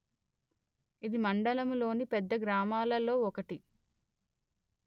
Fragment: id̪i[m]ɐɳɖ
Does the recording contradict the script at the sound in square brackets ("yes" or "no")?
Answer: no